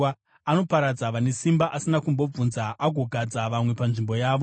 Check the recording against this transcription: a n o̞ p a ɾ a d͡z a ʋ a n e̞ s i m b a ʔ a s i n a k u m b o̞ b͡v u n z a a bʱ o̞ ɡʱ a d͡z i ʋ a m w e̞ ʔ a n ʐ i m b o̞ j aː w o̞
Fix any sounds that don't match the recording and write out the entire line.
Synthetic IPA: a n o̞ p a ɾ a d͡z a ʋ a n e̞ s i m b a ʔ a s i n a k u m b o̞ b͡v u n z a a ɡʱ o̞ ɡʱ a d͡z a ʋ a m w e̞ p a n ʐ i m b o̞ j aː ʋ o̞